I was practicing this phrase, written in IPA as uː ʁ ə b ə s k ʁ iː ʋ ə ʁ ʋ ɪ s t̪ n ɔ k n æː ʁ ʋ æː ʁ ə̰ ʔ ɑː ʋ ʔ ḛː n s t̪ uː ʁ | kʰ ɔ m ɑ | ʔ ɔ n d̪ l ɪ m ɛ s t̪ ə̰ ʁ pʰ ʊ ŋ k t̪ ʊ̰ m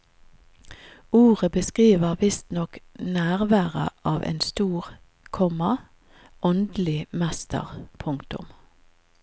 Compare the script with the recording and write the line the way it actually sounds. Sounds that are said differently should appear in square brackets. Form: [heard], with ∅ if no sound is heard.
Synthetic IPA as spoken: uː ʁ ə b ə s k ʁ iː ʋ ə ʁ ʋ ɪ s t̪ n ɔ k n æː ʁ ʋ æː ʁ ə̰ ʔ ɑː ʋ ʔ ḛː n s t̪ uː ʁ | kʰ ɔ m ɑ | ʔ ɔ n d̪ l ɪ m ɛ s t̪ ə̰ ʁ pʰ ʊ ŋ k t̪ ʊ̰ m